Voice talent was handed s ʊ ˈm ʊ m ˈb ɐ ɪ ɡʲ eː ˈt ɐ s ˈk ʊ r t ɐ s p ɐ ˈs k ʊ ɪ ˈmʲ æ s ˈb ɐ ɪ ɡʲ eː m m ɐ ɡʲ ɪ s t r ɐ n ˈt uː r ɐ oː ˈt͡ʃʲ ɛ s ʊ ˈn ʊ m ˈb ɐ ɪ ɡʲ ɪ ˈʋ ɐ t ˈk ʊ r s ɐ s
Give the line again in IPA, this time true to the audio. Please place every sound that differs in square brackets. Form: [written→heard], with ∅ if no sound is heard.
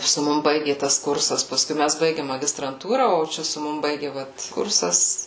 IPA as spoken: s ʊ ˈm ʊ m ˈb ɐ ɪ ɡʲ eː ˈt ɐ s ˈk ʊ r [t→s] ɐ s p ɐ ˈs k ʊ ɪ ˈmʲ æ s ˈb ɐ ɪ ɡʲ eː m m ɐ ɡʲ ɪ s t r ɐ n ˈt uː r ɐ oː ˈt͡ʃʲ ɛ s ʊ [ˈn→ˈm] ʊ m ˈb ɐ ɪ ɡʲ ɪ ˈʋ ɐ t ˈk ʊ r s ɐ s